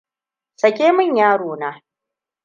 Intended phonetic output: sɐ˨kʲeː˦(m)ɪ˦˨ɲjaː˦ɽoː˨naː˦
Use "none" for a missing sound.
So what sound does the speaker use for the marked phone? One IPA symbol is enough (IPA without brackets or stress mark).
m